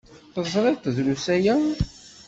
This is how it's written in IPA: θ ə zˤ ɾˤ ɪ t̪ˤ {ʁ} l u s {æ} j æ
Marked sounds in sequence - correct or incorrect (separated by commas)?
incorrect, correct